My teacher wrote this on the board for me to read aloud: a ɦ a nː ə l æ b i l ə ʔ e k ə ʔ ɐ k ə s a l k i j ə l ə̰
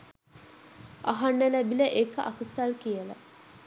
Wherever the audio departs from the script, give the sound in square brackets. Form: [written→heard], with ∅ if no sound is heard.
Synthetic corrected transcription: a ɦ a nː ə l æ b i l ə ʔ e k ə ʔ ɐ k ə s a l k i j ə l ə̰

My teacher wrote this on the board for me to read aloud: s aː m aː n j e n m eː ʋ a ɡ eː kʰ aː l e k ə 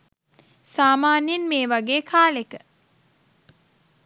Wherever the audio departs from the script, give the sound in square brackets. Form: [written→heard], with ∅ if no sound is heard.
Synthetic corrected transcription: s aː m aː n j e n m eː ʋ a ɡ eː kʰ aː l e k ə

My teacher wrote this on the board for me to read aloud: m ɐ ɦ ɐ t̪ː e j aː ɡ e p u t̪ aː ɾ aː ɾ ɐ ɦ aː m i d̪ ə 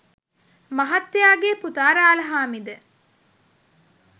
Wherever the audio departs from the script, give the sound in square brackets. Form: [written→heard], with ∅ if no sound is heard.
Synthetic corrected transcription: m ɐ ɦ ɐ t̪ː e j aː ɡ e p u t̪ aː ɾ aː [ɾ→l] ɐ ɦ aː m i d̪ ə

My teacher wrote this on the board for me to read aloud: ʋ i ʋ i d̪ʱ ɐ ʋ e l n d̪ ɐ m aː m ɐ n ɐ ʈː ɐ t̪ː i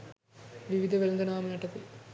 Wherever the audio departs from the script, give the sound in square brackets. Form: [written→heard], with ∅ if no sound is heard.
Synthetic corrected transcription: ʋ i ʋ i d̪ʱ ɐ ʋ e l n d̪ ɐ [m→n] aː m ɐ n ɐ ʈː ɐ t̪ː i

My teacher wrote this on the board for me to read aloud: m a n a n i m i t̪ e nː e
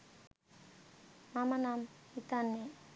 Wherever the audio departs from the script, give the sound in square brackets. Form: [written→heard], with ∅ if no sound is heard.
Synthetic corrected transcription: m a [n→m] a n [i→a] m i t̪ [e→a] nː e

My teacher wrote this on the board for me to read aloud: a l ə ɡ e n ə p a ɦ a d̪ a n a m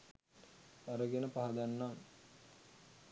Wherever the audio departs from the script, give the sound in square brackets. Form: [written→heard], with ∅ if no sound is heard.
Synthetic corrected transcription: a [l→ɾ] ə ɡ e n ə p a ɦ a d̪ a [n→nː] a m

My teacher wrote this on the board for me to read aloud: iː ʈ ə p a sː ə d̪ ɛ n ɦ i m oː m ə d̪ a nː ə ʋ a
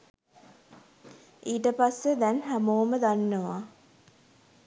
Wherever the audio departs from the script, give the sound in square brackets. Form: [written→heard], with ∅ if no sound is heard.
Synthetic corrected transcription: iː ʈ ə p a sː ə d̪ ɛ n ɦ [i→æ] m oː m ə d̪ a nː ə ʋ a

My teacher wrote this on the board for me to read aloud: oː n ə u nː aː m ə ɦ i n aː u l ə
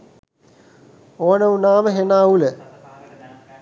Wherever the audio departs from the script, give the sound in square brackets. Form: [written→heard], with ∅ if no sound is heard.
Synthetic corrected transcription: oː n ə u [nː→n] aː m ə ɦ [i→e] n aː u l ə

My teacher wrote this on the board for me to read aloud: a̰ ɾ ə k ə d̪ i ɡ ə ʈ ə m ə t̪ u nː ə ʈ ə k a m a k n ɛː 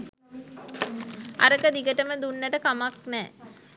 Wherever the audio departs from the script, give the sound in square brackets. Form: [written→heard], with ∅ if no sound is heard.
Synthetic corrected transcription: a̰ ɾ ə k ə d̪ i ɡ ə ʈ ə m ə [t̪→d̪] u nː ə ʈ ə k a m a k n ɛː

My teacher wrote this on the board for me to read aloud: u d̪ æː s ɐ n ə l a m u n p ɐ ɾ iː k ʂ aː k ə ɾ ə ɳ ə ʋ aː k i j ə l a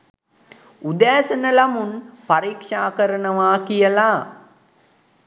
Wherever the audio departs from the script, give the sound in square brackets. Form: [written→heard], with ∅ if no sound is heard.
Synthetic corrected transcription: u d̪ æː s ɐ n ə l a m u n p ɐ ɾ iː k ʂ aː k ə ɾ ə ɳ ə ʋ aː k i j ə l a

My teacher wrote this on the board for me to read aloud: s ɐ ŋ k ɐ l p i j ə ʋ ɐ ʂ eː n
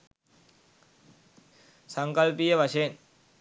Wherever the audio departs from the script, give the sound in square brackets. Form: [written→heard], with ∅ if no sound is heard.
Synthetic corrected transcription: s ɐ ŋ k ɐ l p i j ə ʋ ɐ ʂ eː n

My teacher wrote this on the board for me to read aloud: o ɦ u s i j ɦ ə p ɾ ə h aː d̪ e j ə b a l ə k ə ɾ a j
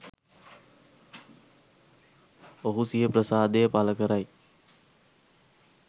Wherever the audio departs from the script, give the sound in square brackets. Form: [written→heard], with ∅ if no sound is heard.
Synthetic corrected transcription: o ɦ u s i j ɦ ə p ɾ ə [h→s] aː d̪ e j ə [b→p] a l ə k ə ɾ a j

